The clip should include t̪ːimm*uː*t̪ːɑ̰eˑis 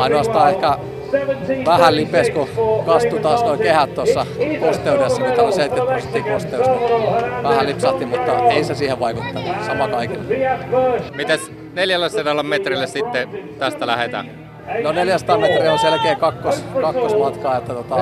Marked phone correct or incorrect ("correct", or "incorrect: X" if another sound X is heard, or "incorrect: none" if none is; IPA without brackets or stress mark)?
incorrect: u